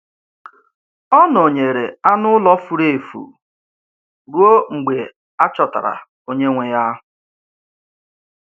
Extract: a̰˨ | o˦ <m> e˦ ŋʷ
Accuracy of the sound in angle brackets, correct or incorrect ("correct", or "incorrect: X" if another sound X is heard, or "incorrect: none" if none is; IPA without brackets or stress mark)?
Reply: incorrect: ɲ